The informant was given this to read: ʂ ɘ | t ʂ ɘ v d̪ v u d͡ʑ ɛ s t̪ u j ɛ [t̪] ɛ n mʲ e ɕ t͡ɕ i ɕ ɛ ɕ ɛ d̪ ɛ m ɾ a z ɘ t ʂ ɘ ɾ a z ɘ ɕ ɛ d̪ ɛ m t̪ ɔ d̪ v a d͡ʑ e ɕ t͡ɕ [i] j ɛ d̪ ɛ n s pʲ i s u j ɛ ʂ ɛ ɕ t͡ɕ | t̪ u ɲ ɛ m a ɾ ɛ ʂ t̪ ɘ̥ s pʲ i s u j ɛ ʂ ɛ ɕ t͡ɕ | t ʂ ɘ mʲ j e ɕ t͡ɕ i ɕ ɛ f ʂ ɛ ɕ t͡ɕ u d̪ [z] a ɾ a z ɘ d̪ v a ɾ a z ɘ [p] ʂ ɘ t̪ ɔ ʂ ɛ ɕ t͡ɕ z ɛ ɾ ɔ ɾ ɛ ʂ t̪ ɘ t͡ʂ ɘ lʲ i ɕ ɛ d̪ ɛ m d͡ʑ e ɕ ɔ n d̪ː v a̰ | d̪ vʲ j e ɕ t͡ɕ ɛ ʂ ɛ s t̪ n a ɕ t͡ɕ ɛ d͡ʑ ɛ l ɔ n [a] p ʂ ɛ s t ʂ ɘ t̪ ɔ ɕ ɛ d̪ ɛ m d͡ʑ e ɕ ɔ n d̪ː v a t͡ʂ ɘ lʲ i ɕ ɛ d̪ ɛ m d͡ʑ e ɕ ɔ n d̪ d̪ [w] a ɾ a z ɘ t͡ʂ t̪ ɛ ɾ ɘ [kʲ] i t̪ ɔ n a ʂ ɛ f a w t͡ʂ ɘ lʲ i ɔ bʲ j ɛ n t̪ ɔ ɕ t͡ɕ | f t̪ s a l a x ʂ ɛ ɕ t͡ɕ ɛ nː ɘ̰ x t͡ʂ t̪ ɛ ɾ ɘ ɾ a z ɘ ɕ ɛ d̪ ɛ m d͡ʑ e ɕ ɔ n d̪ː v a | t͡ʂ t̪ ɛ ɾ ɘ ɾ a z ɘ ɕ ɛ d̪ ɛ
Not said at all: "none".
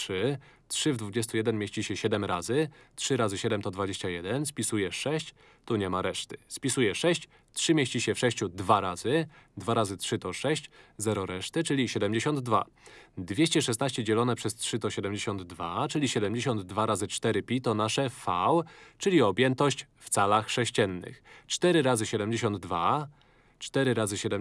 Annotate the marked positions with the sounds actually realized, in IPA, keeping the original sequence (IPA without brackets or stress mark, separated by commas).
d̪, a, v, t, ɛ, v, pʲ